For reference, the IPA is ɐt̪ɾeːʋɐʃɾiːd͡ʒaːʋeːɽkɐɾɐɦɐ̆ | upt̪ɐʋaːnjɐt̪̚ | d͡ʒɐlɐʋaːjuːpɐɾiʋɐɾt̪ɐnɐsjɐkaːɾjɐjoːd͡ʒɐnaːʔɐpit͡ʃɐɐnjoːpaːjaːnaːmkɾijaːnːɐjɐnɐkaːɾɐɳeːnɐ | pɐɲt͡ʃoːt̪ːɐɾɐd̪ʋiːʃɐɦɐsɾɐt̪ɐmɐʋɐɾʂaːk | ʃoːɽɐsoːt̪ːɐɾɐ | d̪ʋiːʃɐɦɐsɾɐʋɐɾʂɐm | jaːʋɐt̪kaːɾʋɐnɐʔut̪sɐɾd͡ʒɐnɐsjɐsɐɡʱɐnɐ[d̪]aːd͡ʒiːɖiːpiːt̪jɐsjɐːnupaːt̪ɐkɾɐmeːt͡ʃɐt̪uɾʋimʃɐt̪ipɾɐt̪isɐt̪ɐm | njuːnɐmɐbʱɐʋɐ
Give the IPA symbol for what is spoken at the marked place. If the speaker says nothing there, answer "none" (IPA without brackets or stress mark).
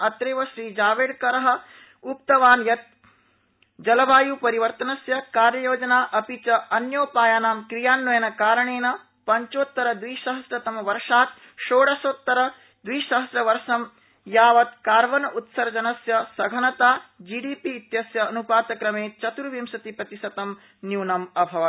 t̪